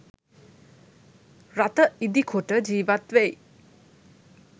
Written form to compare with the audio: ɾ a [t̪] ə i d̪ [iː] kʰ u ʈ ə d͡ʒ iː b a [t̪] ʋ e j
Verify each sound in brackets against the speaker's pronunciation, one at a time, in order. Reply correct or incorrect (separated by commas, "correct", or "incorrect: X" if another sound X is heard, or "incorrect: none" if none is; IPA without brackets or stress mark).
correct, incorrect: i, correct